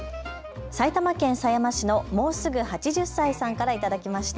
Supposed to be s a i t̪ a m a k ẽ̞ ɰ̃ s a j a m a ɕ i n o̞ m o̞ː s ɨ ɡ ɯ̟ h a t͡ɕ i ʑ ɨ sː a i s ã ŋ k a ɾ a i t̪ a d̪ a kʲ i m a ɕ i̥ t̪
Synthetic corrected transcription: s a i t̪ a m a k ẽ̞ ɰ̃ s a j a m a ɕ i n o̞ m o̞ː s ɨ ɡ ɯ̟ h a t͡ɕ i ʑ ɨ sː a i s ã ŋ k a ɾ a i t̪ a d̪ a kʲ i m a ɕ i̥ t̪